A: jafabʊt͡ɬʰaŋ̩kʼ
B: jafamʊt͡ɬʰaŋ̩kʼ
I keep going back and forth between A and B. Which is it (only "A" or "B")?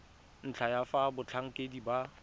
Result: A